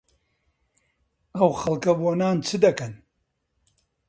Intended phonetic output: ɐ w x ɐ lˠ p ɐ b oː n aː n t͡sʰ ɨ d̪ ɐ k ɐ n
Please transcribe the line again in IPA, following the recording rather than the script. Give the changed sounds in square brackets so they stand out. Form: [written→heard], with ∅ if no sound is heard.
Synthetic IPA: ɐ w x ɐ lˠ [p→k] ɐ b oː n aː n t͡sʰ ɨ d̪ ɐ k ɐ n